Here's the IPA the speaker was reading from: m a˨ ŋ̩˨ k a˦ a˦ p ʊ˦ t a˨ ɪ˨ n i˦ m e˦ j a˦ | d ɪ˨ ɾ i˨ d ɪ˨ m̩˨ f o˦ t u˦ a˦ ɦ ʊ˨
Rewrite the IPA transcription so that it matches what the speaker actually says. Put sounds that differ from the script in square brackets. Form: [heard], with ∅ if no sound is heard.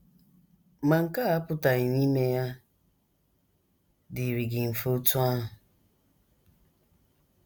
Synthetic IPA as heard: m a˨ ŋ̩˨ k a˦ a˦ p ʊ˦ t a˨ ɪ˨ n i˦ m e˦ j a˦ | d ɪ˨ ɾ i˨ [ɡ] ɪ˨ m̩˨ f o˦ t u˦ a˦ ɦ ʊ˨